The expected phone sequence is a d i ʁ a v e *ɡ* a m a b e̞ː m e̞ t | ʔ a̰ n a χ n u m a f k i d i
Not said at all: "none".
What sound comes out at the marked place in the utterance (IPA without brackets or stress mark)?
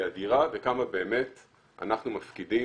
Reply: k